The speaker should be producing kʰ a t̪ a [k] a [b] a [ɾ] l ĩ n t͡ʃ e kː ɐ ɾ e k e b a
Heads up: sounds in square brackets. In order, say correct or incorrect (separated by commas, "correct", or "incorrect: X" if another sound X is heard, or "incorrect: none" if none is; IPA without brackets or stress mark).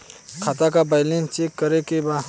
correct, correct, incorrect: none